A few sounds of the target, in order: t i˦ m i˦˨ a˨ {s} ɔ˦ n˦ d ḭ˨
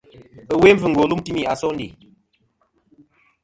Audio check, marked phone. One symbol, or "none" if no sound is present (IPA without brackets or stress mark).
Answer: s